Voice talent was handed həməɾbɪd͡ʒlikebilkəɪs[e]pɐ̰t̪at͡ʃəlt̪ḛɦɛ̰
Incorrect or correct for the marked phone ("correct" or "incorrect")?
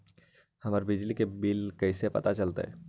correct